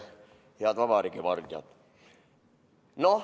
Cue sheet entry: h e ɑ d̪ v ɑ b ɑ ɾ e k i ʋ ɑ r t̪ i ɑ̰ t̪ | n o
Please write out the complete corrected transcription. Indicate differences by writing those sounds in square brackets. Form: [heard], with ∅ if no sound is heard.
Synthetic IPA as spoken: h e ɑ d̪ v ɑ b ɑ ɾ [i] k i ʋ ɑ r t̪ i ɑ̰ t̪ | n o